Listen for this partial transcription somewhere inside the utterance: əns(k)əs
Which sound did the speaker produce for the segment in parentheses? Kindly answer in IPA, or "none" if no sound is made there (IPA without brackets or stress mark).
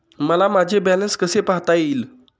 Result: k